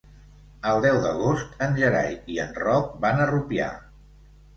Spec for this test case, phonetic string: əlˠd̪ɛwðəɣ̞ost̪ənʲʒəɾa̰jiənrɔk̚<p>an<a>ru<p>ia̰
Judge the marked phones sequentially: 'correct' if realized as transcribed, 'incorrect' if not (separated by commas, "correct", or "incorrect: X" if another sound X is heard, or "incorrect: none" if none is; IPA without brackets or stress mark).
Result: incorrect: b, incorrect: ə, correct